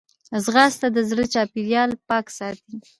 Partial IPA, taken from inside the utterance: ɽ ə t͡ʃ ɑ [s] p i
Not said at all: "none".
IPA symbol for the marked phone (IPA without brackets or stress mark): none